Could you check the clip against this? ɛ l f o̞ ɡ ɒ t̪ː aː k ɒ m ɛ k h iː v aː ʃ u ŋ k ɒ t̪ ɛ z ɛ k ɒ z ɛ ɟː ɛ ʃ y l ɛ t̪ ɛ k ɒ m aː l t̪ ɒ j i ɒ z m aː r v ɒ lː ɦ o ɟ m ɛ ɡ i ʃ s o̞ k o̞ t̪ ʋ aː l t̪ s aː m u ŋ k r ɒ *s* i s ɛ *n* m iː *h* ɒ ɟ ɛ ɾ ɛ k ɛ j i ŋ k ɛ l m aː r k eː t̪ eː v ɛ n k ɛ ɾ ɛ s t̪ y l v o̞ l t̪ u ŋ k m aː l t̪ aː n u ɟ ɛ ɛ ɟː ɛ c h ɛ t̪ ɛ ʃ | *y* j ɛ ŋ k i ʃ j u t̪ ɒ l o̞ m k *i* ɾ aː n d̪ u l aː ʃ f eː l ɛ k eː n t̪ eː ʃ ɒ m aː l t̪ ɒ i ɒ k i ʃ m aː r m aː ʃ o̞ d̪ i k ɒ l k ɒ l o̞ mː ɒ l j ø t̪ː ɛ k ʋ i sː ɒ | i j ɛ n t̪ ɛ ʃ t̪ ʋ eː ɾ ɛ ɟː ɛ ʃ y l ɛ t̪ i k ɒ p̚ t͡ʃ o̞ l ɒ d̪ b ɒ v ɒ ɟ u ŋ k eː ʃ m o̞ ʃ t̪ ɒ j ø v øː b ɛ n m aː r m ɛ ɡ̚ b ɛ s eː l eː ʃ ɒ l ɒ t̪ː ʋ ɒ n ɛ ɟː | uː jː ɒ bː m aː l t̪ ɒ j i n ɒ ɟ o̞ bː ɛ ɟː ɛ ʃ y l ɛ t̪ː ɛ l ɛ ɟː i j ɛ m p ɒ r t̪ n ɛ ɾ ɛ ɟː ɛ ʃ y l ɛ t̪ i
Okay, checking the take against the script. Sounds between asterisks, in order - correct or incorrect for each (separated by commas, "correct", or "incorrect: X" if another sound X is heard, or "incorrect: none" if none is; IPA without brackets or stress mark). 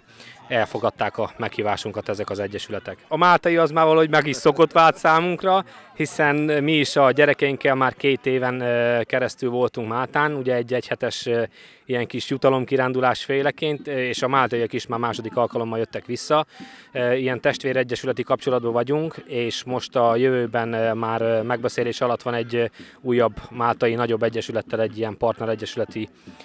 incorrect: h, correct, incorrect: ʃ, incorrect: i, correct